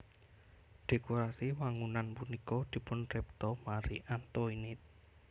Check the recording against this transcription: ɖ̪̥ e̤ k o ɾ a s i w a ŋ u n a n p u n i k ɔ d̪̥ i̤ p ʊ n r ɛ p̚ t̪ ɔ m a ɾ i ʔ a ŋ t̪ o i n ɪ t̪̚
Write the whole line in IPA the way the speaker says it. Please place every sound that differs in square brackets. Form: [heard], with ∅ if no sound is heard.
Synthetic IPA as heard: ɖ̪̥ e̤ k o ɾ a s i w a ŋ u n a n p u n i k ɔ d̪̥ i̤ p ʊ n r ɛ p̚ t̪ ɔ m a ɾ i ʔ a [n] t̪ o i n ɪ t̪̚